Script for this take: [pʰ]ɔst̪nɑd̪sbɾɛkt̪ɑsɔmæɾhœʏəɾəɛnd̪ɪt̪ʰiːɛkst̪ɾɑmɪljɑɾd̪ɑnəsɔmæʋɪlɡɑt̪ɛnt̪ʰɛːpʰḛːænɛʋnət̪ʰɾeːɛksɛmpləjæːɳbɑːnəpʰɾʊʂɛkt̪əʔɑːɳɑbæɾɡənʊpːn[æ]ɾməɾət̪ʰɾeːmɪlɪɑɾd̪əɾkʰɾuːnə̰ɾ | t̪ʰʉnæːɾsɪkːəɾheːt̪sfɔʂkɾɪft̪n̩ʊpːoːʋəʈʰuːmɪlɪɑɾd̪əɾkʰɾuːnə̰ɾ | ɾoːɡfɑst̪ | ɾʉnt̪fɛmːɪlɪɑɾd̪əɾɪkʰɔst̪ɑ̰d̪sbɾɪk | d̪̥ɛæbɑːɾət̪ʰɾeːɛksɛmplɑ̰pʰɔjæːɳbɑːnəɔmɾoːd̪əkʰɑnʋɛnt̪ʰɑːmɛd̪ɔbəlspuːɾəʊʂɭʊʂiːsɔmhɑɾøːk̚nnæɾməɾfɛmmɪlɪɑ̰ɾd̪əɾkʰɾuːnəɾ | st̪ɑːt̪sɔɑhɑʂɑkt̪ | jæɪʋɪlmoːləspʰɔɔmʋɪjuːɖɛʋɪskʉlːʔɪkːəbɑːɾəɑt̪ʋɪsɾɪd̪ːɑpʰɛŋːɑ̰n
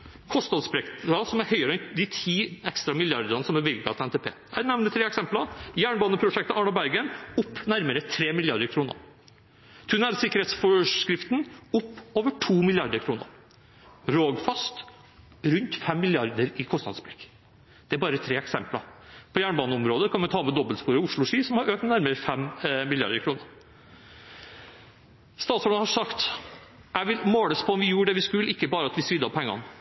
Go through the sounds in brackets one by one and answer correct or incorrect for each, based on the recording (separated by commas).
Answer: incorrect, correct